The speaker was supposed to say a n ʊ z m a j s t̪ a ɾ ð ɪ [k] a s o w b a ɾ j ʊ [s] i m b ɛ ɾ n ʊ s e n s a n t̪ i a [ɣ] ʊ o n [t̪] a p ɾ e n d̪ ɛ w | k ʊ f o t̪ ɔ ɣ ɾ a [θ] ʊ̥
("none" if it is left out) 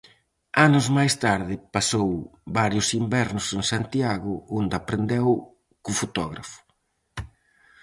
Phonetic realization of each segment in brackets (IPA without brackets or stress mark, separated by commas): p, s, ɣ, d̪, f